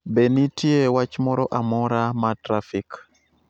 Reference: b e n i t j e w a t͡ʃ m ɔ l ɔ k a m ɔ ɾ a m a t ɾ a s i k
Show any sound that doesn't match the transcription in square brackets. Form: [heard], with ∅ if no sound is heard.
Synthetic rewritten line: b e n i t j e w a t͡ʃ m ɔ [ɾ] ɔ [ʔ] a m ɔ ɾ a m a t ɾ a [f] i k

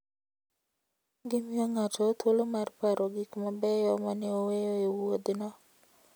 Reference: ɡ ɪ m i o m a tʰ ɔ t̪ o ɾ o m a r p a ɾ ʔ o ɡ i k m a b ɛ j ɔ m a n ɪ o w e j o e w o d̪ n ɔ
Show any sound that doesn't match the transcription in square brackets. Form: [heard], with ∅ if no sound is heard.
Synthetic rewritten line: ɡ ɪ m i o [ŋ] a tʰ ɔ t̪ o [l] o m a r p a ɾ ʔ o ɡ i k m a b ɛ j ɔ m a n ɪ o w e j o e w o d̪ n ɔ

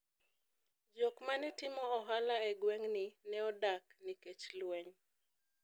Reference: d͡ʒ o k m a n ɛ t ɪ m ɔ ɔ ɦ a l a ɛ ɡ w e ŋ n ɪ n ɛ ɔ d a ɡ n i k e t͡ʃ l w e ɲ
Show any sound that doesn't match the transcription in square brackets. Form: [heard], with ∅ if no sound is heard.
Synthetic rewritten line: d͡ʒ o k m a n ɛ t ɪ m ɔ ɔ ɦ a l a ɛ ɡ w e ŋ n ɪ n ɛ ɔ d a [k] n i k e t͡ʃ l w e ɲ

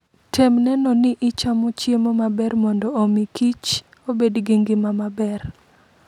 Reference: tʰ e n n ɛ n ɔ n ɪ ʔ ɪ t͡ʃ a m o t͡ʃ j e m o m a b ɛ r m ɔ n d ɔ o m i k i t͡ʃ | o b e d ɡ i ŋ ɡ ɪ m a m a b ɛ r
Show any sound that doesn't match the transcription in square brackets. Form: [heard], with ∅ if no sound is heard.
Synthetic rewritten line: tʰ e [m] n ɛ n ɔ n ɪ ʔ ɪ t͡ʃ a m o t͡ʃ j e m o m a b ɛ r m ɔ n d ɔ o m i k i t͡ʃ | o b e d ɡ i ŋ ɡ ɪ m a m a b ɛ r

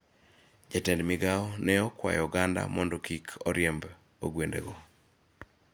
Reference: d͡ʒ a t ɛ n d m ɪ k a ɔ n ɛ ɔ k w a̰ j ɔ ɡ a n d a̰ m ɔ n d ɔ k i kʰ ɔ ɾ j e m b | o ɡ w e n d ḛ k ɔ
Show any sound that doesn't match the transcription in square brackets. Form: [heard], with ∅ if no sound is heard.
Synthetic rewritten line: d͡ʒ a t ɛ n d m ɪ [ɡ] a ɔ n ɛ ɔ k w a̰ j ɔ ɡ a n d a̰ m ɔ n d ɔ k i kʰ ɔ ɾ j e m b | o ɡ w e n d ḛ [ɡ] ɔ

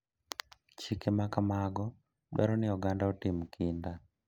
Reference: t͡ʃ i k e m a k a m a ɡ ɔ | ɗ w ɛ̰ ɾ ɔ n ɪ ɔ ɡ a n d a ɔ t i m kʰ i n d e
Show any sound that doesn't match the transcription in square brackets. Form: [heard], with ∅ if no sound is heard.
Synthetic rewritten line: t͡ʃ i k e m a k a m a ɡ ɔ | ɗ w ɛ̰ ɾ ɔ n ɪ ɔ ɡ a n d a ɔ t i m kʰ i n d [a]

